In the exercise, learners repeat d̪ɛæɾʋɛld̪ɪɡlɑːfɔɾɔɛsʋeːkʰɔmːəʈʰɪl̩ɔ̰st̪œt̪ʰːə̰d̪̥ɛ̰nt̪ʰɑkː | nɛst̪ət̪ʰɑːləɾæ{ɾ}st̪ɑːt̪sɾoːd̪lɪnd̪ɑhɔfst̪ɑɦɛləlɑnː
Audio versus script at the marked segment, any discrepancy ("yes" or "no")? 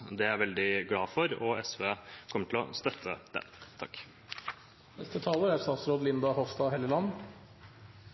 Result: no